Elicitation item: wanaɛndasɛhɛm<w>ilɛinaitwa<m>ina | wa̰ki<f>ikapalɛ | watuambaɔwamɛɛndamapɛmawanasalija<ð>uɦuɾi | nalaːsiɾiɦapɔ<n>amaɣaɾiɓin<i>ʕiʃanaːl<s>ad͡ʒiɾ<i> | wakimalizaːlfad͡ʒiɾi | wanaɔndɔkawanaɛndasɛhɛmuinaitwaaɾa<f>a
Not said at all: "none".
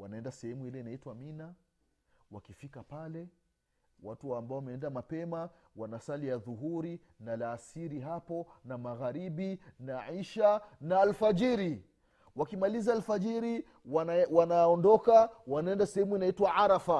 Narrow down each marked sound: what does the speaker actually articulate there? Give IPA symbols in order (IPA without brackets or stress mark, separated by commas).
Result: u, m, f, ð, n, a, f, i, f